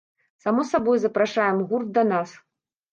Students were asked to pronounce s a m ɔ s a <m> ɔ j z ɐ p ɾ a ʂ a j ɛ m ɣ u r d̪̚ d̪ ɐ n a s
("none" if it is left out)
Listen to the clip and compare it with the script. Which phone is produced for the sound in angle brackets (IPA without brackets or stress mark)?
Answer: b